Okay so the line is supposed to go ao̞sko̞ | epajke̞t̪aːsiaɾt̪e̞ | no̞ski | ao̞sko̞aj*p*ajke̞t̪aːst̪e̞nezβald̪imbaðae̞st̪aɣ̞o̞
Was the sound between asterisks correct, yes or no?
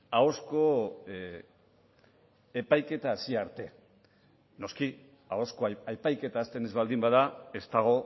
yes